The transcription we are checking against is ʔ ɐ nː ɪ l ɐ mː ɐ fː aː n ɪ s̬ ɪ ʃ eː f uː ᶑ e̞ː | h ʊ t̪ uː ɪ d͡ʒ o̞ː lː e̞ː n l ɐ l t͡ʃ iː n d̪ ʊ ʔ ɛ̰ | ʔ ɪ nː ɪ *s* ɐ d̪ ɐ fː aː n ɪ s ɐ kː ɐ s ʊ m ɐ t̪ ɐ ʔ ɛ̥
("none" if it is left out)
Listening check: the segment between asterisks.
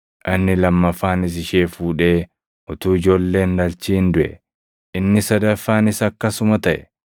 s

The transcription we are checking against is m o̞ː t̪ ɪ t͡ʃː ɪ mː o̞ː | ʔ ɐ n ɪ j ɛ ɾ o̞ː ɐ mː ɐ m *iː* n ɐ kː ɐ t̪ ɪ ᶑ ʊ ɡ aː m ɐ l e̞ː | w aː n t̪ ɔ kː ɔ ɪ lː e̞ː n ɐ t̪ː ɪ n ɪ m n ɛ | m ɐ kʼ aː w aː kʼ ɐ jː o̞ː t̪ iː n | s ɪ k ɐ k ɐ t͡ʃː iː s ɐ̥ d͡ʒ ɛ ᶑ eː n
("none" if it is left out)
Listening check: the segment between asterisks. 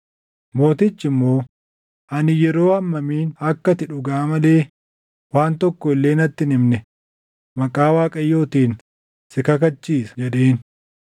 iː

